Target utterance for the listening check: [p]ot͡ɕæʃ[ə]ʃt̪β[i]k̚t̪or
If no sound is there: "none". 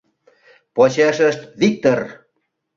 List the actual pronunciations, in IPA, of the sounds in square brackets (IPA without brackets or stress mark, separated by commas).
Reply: p, ə, i